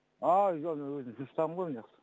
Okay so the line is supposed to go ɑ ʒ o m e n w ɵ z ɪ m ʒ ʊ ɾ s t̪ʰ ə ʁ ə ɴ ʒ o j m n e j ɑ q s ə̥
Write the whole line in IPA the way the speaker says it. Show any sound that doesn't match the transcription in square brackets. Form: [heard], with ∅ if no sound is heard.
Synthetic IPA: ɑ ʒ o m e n w ɵ z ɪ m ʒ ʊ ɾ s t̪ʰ [ɑ] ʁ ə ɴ [ʁ] o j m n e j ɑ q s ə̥